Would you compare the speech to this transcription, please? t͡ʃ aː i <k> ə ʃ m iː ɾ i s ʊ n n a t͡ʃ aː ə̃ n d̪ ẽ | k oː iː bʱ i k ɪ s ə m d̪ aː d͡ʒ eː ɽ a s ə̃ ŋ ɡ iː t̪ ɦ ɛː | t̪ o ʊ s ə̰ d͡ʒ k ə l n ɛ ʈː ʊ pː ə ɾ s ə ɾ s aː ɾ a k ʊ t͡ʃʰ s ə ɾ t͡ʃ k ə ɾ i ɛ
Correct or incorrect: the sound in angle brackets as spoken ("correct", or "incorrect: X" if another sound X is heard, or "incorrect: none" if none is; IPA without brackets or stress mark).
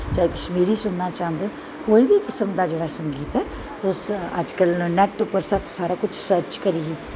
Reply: correct